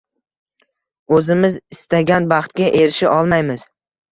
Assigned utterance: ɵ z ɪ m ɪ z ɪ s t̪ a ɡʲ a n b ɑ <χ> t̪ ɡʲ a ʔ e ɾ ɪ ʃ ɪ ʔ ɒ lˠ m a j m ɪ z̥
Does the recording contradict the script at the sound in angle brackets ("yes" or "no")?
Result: no